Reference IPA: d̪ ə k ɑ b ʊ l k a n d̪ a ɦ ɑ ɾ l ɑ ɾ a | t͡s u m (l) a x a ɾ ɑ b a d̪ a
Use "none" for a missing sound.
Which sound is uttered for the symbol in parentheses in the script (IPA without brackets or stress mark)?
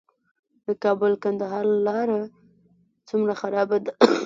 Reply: ɾ